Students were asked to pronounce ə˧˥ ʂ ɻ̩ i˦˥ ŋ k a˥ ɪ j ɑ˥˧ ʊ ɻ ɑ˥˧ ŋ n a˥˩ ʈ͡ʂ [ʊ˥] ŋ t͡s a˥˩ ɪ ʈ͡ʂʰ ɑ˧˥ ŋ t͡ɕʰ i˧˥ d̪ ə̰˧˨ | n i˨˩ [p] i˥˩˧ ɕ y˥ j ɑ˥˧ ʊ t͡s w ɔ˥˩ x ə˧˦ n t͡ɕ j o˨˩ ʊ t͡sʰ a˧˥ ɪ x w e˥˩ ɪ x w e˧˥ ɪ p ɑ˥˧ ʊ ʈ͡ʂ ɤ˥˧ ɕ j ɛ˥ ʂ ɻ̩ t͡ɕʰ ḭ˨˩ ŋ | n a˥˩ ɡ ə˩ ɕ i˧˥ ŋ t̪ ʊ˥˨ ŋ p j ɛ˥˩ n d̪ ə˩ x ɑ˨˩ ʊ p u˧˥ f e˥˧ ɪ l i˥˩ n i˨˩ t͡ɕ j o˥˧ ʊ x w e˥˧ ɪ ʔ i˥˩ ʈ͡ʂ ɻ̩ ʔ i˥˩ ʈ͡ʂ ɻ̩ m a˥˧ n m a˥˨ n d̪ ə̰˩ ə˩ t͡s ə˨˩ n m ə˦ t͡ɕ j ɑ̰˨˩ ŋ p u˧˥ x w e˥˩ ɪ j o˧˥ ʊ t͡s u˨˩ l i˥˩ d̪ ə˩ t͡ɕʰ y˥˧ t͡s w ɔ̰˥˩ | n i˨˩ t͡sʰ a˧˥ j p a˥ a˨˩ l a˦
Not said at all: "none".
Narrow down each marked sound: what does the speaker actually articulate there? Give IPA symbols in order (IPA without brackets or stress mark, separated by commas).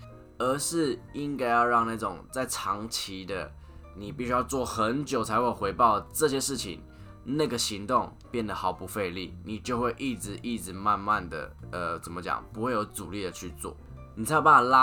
ʊ˨˩, p